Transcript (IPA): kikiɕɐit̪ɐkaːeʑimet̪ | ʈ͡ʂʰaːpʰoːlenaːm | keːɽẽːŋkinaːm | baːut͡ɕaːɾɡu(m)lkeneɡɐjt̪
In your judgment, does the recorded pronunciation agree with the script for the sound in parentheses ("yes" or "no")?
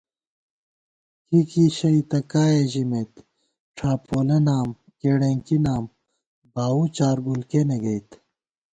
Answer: no